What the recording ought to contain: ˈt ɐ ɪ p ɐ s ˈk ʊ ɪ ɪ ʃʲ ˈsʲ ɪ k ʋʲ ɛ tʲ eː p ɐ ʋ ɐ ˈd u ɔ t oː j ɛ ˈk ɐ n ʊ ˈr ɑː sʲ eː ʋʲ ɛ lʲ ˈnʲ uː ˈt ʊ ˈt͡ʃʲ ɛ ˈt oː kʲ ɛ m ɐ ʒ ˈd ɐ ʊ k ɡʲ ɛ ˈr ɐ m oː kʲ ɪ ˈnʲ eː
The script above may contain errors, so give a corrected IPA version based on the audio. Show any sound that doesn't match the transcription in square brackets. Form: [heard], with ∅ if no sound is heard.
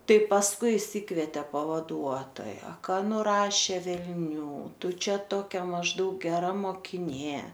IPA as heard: ˈt ɐ ɪ p ɐ s ˈk ʊ ɪ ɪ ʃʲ ˈsʲ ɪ k ʋʲ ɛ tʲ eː p ɐ ʋ ɐ ˈd u ɔ t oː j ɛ ˈk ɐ n ʊ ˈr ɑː [ʃʲ] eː ʋʲ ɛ lʲ ˈnʲ uː ˈt ʊ ˈt͡ʃʲ ɛ ˈt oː kʲ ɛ m ɐ ʒ ˈd ɐ ʊ k ɡʲ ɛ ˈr ɐ m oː kʲ ɪ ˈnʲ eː